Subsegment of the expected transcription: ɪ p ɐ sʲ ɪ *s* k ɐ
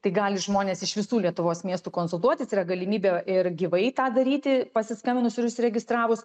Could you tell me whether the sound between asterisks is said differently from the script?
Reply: no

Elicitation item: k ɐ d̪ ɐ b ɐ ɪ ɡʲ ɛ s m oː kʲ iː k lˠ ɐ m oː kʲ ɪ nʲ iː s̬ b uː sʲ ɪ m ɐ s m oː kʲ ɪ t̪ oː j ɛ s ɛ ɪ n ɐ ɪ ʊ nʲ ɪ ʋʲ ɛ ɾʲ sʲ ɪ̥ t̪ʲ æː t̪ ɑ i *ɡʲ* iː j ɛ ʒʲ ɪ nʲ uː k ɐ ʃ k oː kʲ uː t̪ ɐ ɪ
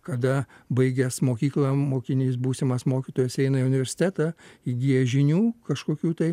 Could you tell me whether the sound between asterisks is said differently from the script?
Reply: no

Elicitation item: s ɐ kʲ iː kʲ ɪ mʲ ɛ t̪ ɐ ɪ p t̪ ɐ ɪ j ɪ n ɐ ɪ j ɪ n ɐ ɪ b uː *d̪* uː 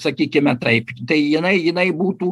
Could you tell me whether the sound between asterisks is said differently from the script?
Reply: yes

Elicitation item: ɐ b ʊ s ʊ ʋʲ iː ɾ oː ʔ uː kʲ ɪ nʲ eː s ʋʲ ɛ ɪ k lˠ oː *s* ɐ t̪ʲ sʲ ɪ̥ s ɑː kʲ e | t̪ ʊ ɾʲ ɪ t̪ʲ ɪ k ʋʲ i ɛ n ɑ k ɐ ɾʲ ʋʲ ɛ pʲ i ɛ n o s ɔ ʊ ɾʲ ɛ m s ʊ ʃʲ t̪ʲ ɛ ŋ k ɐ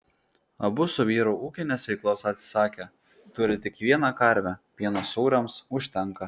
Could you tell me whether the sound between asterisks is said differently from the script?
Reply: no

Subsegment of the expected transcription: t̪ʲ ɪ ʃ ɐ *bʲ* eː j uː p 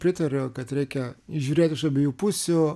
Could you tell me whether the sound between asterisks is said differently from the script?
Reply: no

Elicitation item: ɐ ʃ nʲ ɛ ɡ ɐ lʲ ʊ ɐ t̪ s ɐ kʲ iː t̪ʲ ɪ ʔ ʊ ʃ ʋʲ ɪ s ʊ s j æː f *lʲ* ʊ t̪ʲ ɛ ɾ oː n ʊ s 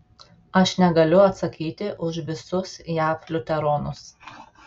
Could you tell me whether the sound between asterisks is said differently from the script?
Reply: no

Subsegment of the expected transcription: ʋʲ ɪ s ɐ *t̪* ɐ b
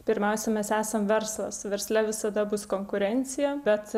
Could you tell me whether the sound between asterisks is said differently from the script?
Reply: yes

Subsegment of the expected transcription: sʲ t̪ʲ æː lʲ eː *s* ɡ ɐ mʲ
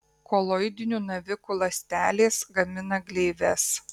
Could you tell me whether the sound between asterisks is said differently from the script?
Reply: no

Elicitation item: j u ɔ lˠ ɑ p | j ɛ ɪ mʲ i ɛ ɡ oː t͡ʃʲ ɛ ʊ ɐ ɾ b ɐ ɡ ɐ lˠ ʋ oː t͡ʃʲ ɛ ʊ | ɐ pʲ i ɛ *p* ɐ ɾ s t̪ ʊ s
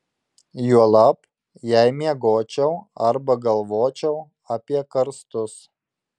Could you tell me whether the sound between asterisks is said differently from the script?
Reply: yes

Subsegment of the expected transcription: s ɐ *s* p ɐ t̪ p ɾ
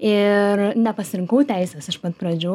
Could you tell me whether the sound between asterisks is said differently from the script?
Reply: yes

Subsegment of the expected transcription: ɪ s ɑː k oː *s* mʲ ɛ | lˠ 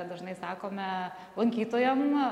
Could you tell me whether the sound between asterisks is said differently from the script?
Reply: yes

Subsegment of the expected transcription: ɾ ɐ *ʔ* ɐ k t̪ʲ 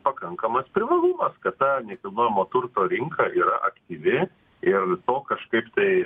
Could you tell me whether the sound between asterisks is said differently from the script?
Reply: no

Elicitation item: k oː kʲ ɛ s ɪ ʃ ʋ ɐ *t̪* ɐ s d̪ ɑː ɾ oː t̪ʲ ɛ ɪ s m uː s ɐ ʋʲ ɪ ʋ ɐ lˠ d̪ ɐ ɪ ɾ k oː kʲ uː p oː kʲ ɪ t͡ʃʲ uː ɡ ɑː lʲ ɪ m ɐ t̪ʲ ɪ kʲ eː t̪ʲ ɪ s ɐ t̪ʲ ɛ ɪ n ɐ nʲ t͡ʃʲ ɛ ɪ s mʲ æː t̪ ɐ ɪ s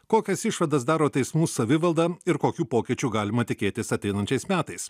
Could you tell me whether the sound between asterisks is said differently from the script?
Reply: yes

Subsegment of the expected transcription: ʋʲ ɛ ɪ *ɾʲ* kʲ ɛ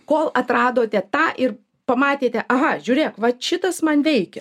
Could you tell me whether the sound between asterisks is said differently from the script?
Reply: yes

